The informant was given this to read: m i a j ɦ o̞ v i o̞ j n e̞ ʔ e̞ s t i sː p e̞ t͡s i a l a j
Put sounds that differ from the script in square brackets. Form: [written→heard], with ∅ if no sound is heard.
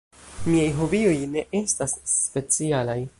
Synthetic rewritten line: m i a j ɦ o̞ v i o̞ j n e̞ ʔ e̞ s t [i→a] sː p e̞ t͡s i a l a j